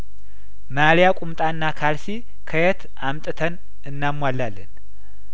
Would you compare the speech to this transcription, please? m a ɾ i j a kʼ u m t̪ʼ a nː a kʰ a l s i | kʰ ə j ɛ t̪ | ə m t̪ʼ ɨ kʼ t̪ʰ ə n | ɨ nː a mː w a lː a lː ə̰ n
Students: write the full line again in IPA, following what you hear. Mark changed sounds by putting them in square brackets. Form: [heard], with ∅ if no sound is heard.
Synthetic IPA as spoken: m a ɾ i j a kʼ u m t̪ʼ a nː a kʰ a l s i | kʰ ə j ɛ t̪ | [a] m t̪ʼ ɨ [∅] t̪ʰ ə n | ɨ nː a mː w a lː a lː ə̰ n